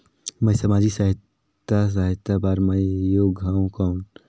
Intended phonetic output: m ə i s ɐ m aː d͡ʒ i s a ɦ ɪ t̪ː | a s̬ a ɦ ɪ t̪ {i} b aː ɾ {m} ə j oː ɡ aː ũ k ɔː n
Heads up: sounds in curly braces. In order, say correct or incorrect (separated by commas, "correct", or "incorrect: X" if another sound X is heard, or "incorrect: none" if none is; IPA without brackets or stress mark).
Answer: incorrect: a, correct